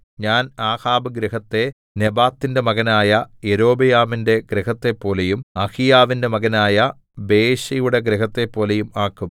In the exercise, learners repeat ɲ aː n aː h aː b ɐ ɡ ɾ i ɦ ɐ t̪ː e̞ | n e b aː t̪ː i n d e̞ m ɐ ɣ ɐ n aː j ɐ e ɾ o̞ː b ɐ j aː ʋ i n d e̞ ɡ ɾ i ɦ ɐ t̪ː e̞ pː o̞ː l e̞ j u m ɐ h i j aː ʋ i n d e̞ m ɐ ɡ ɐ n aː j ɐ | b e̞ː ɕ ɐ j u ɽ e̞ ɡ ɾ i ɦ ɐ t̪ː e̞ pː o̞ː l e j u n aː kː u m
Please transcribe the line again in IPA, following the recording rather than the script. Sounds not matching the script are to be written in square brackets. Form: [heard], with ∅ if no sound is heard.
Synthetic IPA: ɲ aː n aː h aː b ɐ ɡ ɾ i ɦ ɐ t̪ː e̞ | n e b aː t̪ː i n d e̞ m ɐ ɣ ɐ n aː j ɐ e ɾ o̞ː b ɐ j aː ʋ i n d e̞ ɡ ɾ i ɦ ɐ t̪ː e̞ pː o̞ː l e̞ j u m ɐ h i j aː ʋ i n d e̞ m ɐ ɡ ɐ n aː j ɐ | b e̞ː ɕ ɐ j u ɽ e̞ ɡ ɾ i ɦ ɐ t̪ː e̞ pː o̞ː l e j u [m] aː kː u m